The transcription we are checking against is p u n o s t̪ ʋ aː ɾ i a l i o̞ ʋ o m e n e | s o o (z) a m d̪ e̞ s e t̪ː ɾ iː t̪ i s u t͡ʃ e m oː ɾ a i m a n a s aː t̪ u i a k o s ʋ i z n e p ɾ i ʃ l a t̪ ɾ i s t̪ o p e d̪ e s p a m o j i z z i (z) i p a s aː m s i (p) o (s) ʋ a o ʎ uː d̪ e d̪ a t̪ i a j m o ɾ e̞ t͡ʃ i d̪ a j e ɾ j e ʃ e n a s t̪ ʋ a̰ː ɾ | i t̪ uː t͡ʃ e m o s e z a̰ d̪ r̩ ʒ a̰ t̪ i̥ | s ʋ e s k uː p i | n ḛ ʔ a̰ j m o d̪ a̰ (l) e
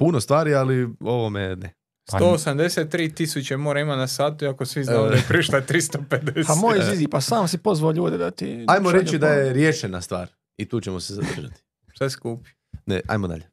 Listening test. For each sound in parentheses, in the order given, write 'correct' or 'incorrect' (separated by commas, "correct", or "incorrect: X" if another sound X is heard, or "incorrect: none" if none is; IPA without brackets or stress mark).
incorrect: s, correct, correct, incorrect: z, incorrect: ʎ